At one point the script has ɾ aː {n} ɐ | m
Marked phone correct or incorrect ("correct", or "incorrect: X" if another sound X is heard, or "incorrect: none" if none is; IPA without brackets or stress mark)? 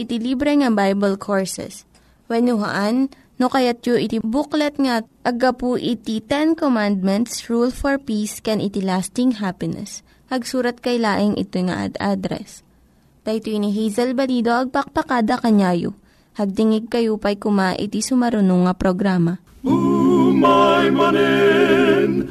incorrect: m